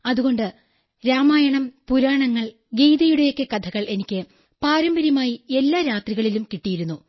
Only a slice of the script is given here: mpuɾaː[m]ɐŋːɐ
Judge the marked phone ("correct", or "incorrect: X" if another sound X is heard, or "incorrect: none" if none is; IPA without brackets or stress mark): incorrect: ɳ